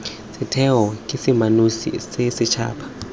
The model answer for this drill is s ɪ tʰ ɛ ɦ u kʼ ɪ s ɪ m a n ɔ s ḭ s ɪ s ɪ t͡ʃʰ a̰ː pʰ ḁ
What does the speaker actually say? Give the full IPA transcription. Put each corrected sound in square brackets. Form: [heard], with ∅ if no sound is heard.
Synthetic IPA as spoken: s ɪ tʰ ɛ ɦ [ɔ] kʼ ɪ s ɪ m a n [u] s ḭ s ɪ s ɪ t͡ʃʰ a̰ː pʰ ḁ